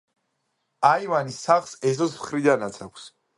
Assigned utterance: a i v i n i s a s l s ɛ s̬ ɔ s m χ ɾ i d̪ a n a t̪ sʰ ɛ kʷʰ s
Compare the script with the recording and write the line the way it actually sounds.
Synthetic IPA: a i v a n i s a χ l s ɛ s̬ ɔ s m χ ɾ i d̪ a n a t̪ sʰ a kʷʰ s